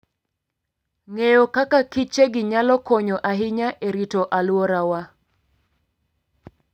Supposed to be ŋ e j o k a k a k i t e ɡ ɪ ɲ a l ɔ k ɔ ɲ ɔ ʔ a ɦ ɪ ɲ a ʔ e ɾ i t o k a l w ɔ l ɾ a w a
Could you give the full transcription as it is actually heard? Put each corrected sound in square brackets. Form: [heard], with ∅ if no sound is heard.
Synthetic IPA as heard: ŋ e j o k a k a k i [t͡ʃ] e ɡ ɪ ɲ a l ɔ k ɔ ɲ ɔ ʔ a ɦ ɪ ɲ a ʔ e ɾ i t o [ʔ] a l w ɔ [∅] ɾ a w a